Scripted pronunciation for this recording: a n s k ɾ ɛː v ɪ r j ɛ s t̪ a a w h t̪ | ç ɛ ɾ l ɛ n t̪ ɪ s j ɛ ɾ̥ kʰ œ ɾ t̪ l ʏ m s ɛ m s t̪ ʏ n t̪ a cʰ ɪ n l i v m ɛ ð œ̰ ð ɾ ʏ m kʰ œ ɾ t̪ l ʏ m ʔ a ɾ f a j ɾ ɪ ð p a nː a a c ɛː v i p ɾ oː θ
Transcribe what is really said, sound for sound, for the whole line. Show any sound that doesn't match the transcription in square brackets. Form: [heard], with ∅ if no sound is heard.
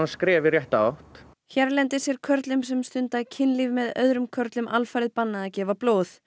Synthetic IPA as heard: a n s k ɾ ɛː v ɪ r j ɛ [h] t̪ a a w h t̪ | ç ɛ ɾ l ɛ n t̪ ɪ s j ɛ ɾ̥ kʰ œ ɾ t̪ l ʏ m s ɛ m s t̪ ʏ n t̪ a cʰ ɪ n l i v m ɛ ð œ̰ ð ɾ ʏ m kʰ œ ɾ t̪ l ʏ m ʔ a [l] f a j ɾ ɪ ð p a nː a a c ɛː v [a] p [l] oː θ